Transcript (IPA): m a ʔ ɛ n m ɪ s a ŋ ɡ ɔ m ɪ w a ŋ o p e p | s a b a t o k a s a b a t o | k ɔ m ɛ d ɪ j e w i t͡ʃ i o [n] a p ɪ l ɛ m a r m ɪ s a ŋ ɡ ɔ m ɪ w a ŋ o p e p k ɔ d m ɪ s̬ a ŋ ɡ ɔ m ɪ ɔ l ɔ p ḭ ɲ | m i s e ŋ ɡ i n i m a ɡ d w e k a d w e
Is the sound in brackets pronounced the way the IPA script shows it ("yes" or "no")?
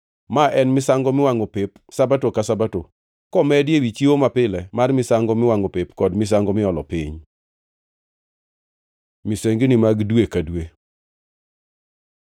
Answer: no